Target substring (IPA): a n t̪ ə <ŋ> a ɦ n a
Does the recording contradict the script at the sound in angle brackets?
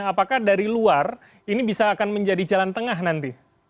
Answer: no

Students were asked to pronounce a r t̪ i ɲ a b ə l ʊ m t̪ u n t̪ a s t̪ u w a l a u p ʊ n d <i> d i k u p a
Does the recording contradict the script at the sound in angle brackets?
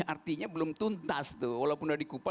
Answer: yes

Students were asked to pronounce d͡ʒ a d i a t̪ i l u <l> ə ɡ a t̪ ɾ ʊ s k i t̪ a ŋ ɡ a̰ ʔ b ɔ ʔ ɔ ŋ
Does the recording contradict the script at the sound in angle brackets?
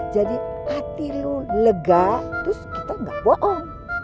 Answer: no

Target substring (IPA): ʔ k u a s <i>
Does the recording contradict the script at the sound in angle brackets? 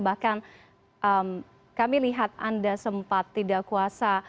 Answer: yes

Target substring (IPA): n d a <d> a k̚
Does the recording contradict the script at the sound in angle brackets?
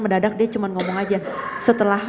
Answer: no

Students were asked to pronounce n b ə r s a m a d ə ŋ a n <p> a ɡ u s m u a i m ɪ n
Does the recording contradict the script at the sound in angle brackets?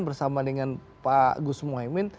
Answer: no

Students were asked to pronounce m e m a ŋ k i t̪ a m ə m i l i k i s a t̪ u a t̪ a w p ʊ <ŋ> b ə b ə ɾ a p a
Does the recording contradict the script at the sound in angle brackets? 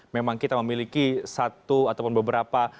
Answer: yes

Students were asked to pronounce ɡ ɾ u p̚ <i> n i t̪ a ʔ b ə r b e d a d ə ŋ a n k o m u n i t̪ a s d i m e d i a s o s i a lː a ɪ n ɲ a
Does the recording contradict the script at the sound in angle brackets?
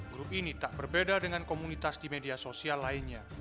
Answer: no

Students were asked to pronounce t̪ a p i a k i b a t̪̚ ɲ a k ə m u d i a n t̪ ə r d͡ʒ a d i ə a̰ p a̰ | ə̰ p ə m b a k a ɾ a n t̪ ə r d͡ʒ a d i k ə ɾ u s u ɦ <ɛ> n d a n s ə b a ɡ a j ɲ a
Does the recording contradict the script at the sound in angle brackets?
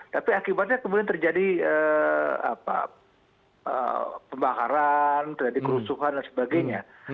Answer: yes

